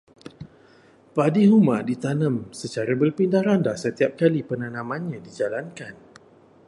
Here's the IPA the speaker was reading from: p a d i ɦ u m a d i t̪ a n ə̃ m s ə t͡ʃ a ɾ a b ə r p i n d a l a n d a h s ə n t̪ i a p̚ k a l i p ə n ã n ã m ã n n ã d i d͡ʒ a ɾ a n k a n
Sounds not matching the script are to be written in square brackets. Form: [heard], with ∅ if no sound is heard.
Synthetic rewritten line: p a d i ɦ u m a d i t̪ a n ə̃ m s ə t͡ʃ a ɾ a b ə r p i n d a [ɾ] a n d a h s ə [∅] t̪ i a p̚ k a l i p ə n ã n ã m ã n [ɲ] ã d i d͡ʒ a [l] a n k a n